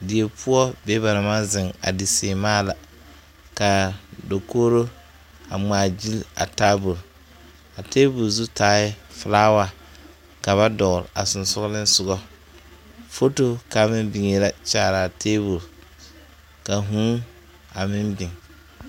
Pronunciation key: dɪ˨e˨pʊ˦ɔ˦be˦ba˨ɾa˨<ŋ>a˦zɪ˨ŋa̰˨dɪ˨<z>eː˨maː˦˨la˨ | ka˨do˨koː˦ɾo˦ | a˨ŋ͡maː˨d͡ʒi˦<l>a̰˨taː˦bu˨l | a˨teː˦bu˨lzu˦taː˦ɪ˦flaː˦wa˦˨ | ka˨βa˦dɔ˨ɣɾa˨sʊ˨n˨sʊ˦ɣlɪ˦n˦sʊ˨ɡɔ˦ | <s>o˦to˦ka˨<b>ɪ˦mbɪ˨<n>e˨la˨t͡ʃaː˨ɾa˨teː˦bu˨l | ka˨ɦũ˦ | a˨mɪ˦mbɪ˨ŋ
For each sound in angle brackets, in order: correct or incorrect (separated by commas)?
incorrect, incorrect, correct, incorrect, incorrect, incorrect